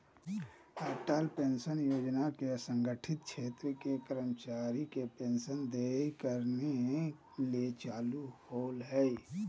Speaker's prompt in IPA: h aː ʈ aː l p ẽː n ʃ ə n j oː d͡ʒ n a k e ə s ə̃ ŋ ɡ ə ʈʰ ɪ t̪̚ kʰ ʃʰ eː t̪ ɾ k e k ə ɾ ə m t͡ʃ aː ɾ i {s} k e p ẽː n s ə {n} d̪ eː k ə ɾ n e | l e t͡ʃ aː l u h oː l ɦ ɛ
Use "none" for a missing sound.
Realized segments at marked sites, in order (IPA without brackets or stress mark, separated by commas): none, n